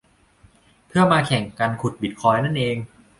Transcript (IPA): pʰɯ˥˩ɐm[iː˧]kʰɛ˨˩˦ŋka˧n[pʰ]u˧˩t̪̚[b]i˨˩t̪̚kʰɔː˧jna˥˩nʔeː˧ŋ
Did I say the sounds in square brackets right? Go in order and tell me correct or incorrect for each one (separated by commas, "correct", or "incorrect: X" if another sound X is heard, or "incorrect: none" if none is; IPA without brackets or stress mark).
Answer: incorrect: aː˧, incorrect: kʰ, correct